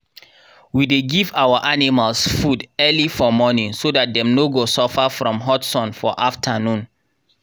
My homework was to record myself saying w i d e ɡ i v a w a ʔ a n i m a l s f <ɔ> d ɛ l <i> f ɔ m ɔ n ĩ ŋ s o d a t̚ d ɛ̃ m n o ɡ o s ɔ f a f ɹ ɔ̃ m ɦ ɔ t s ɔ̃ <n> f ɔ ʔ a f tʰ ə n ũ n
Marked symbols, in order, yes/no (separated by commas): no, yes, yes